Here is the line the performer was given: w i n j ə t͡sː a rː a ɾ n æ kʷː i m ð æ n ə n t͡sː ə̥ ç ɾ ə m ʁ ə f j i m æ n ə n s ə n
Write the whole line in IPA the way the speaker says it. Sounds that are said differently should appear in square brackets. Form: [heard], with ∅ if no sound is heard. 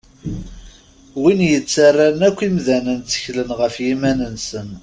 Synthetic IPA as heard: w i n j ə t͡sː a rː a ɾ n æ kʷː i m ð æ n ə n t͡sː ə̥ ç [l] ə [n] ʁ ə f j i m æ n ə n s ə n